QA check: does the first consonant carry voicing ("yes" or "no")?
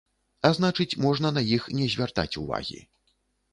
yes